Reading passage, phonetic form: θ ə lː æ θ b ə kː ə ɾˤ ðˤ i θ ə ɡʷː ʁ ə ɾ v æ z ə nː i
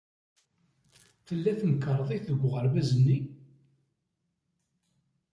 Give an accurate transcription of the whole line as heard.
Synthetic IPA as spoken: θ ə lː æ θ m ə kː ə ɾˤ ðˤ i θ ə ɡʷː ʁ ə ɾ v æ z ə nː i